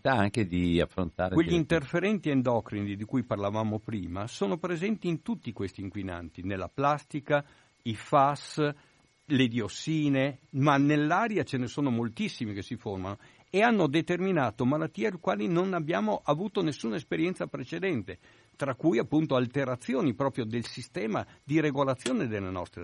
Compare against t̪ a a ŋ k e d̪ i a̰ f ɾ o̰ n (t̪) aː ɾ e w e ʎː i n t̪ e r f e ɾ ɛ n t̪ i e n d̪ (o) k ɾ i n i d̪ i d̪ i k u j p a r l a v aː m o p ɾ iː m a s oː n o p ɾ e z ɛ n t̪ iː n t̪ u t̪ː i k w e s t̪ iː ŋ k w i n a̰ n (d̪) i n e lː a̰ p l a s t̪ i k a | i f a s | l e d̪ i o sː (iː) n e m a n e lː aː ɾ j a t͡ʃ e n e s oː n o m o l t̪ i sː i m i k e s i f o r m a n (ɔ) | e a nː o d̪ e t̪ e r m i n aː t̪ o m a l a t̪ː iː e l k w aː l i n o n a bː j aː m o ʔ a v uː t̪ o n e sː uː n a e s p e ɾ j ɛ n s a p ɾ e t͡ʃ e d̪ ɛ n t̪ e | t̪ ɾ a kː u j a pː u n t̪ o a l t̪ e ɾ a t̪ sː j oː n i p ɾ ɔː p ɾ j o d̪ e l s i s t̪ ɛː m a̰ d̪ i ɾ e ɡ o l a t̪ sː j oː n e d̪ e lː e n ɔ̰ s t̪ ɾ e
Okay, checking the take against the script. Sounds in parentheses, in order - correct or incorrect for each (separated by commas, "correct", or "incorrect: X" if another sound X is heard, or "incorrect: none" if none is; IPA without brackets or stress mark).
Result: correct, incorrect: ɔ, incorrect: t̪, correct, incorrect: o